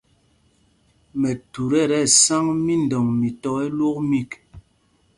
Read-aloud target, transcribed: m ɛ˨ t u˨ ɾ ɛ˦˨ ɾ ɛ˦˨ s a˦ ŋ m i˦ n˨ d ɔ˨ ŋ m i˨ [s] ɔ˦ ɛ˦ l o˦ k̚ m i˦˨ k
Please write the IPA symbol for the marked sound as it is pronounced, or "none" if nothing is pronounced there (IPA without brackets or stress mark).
t